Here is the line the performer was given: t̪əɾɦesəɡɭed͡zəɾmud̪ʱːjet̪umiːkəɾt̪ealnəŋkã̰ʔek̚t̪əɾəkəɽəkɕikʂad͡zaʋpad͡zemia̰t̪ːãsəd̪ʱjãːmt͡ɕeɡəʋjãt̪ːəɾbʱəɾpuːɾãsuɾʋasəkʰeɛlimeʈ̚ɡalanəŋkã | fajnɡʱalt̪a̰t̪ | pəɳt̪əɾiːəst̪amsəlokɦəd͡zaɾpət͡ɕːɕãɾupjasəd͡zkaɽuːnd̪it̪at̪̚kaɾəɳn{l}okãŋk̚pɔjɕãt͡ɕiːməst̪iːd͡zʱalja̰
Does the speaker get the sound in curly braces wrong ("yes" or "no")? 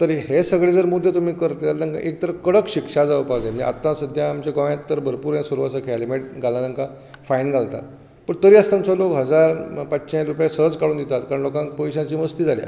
no